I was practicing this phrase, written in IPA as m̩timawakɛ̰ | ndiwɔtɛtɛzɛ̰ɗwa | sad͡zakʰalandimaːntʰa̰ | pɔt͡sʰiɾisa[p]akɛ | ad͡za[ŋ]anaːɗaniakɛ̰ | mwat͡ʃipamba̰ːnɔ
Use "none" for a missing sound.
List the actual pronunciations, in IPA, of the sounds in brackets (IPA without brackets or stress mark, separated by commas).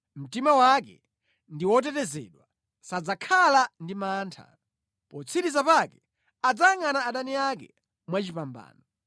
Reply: p, ŋ